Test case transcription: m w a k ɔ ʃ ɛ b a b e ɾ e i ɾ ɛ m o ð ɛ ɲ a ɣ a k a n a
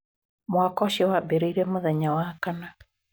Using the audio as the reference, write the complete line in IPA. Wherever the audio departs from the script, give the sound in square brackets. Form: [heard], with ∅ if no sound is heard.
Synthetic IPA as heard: m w a k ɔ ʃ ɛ [w] a b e ɾ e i ɾ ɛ m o ð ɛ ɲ a [w] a k a n a